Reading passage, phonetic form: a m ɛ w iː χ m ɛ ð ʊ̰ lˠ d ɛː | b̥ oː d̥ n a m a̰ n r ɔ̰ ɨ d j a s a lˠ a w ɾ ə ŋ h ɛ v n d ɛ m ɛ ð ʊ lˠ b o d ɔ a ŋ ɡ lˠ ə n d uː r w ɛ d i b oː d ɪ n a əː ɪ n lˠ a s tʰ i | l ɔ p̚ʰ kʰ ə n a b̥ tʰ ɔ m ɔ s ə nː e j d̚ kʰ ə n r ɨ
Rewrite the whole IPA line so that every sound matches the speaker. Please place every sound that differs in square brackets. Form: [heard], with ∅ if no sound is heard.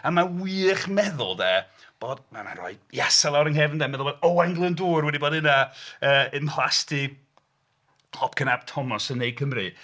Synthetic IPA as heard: a m [a] w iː χ m ɛ ð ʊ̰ lˠ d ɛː | b̥ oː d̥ [m] a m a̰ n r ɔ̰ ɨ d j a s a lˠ a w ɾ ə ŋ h ɛ v n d ɛ m ɛ ð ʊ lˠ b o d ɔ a ŋ ɡ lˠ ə n d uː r w ɛ d i b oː d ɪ n a əː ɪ n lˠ a s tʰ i | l ɔ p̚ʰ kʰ ə n a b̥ tʰ ɔ m ɔ s ə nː e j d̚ kʰ ə [m] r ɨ